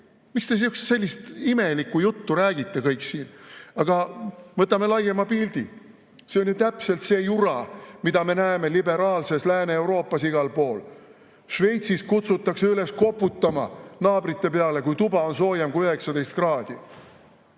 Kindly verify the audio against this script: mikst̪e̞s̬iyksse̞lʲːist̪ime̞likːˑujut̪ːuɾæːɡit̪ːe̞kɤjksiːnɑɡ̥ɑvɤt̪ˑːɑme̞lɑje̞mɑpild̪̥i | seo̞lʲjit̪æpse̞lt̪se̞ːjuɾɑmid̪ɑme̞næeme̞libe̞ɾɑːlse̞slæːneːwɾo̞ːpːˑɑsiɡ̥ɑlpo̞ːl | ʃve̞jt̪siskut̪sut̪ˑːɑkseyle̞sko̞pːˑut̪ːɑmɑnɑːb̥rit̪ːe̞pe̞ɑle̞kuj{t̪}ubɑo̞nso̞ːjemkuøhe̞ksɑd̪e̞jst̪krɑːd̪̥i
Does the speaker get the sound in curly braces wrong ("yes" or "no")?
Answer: no